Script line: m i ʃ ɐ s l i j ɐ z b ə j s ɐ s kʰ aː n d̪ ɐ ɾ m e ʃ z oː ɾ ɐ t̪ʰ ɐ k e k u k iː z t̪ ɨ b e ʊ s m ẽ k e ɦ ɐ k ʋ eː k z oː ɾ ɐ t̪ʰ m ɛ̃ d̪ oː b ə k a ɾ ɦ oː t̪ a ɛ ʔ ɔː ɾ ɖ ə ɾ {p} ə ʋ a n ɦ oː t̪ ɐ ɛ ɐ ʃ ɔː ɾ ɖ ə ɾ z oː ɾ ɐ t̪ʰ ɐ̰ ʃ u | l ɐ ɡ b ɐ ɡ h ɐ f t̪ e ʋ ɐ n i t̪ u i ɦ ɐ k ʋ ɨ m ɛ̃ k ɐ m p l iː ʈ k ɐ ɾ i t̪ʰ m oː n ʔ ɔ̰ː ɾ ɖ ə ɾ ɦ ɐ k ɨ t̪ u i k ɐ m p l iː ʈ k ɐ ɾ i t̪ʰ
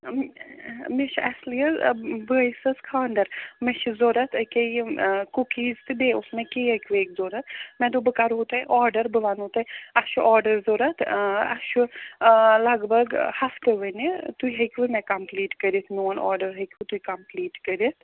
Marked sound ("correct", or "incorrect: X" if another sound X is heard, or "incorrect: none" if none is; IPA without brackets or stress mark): incorrect: b